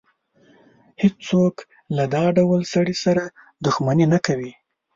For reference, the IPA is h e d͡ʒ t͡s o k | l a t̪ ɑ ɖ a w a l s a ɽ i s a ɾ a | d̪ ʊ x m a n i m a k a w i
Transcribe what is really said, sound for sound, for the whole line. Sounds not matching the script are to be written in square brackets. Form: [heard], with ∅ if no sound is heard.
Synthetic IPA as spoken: h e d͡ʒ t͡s o k | l a [d̪] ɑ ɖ a w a l s a ɽ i s a ɾ a | d̪ ʊ x m a n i [n] a k a w i